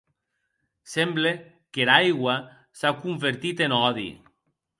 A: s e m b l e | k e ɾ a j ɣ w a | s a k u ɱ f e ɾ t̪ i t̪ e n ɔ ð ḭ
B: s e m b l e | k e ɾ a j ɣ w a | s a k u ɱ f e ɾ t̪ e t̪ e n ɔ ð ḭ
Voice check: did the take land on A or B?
A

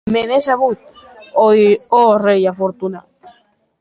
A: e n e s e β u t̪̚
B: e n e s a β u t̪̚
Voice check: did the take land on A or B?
B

